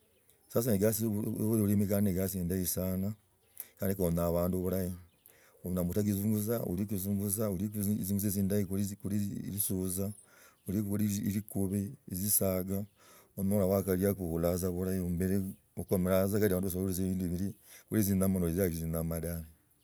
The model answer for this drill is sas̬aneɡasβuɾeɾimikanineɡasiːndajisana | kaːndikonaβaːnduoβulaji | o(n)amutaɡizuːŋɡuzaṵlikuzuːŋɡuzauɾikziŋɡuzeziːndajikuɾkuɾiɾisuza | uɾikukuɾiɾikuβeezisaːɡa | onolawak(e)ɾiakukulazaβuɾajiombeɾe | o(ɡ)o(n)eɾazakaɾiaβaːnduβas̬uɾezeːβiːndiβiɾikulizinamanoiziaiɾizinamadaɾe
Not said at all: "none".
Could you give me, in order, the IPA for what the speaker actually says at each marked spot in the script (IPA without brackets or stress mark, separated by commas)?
n, a, k, m